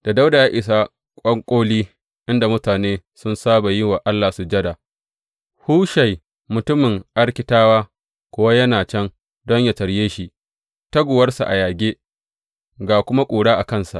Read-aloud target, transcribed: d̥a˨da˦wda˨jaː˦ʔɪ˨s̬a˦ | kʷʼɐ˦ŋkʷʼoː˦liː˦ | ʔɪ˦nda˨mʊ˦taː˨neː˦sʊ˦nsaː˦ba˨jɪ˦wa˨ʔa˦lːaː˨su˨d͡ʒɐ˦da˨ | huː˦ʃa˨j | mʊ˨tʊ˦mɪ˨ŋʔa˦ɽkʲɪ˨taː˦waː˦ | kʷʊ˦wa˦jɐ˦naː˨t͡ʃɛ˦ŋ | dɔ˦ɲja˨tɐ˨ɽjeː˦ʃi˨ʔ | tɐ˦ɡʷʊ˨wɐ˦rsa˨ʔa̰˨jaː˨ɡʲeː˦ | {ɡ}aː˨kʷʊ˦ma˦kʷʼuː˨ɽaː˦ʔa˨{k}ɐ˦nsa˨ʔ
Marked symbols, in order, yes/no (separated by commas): yes, yes